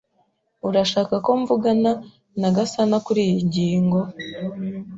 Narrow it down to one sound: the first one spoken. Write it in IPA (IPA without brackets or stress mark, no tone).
u